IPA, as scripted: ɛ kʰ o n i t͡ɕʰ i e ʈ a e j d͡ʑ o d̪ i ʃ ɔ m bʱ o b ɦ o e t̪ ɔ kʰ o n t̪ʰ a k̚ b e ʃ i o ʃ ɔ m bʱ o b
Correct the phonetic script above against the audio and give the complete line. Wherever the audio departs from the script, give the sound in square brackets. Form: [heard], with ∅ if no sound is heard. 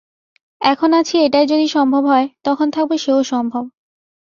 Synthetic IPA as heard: ɛ kʰ o n [a] t͡ɕʰ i e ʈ a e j d͡ʑ o d̪ i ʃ ɔ m bʱ o b ɦ [ɔ] e t̪ ɔ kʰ o n t̪ʰ a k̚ b e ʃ [e] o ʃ ɔ m bʱ o b

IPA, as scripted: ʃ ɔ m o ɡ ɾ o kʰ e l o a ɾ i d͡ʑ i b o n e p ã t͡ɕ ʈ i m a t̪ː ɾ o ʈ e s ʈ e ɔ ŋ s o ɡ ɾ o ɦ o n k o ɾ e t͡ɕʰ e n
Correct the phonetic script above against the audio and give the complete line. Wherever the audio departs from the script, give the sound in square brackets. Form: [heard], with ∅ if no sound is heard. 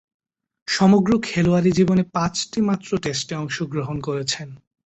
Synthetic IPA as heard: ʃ ɔ m o ɡ ɾ o kʰ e l o a ɾ i d͡ʑ i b o n e p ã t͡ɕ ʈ i m a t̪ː ɾ o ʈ e s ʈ e ɔ ŋ [ʃ] o ɡ ɾ o ɦ o n k o ɾ e t͡ɕʰ e n

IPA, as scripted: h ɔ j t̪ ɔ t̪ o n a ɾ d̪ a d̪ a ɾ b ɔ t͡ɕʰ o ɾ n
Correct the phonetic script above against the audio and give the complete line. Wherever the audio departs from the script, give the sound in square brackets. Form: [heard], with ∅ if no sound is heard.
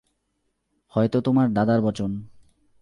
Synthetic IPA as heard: h ɔ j t̪ [o] t̪ o [m] a ɾ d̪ a d̪ a ɾ b ɔ [t͡ɕ] o [∅] n

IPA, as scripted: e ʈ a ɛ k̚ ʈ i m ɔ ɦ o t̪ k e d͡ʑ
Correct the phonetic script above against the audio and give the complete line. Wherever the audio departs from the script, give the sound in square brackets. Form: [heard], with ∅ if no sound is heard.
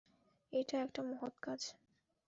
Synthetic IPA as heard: e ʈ a ɛ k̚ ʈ [a] m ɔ ɦ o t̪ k [a] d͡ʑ

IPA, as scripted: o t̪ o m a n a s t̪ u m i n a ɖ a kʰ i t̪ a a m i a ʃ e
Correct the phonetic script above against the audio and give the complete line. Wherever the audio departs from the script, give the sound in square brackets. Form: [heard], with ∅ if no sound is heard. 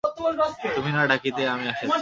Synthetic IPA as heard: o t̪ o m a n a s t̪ u m i n a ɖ a [k] i t̪ [e] a m i a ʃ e

